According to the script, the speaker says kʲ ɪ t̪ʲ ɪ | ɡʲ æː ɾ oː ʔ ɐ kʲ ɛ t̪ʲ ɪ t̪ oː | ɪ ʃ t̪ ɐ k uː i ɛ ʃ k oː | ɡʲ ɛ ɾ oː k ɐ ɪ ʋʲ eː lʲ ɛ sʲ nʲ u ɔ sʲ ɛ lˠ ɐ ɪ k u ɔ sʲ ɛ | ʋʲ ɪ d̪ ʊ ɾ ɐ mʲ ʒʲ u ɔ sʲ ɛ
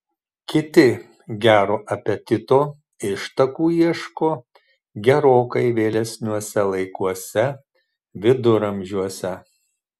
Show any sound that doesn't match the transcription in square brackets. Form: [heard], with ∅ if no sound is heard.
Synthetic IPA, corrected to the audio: kʲ ɪ t̪ʲ ɪ | ɡʲ æː ɾ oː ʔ ɐ [pʲ] ɛ t̪ʲ ɪ t̪ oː | ɪ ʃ t̪ ɐ k uː i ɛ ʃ k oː | ɡʲ ɛ ɾ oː k ɐ ɪ ʋʲ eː lʲ ɛ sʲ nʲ u ɔ sʲ ɛ lˠ ɐ ɪ k u ɔ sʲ ɛ | ʋʲ ɪ d̪ ʊ ɾ ɐ mʲ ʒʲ u ɔ sʲ ɛ